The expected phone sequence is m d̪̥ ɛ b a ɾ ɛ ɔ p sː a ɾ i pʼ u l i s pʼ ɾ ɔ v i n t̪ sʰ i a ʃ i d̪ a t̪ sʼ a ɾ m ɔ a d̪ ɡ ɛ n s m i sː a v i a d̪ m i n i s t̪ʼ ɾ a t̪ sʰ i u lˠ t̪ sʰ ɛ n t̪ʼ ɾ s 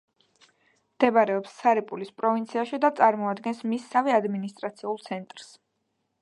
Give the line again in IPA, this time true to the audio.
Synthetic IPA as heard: m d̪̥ ɛ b a ɾ ɛ ɔ p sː a ɾ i pʼ u l i s pʼ ɾ ɔ v i n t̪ sʰ i a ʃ i d̪ a t̪ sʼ a ɾ m ɔ a d̪ ɡ ɛ n s m i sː a v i a d̪ m i n i s t̪ʼ ɾ a t̪ sʰ i u lˠ t̪ sʰ ɛ n t̪ʼ ɾ s